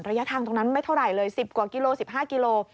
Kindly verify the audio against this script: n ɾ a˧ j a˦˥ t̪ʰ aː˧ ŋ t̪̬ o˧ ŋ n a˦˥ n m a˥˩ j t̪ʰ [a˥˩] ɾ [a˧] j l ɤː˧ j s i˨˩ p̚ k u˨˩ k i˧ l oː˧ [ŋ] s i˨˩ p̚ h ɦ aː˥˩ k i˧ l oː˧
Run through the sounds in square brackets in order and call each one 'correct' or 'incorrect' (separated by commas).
correct, incorrect, incorrect